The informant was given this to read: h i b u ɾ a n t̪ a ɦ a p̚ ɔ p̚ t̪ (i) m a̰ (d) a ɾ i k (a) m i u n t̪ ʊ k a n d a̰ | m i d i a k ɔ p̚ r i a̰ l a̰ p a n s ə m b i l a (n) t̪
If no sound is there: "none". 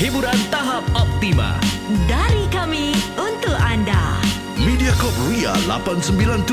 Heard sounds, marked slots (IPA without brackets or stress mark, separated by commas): i, d, a, n